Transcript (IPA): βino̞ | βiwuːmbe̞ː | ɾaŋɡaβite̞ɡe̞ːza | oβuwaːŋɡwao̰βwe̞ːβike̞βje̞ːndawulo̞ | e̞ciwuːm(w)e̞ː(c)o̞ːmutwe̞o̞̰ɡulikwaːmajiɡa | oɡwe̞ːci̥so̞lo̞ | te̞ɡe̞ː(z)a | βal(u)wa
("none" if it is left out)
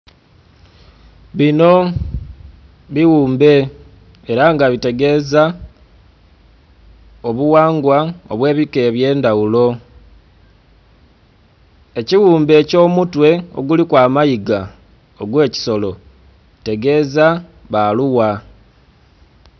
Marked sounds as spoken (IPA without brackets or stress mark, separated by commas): b, c, z, u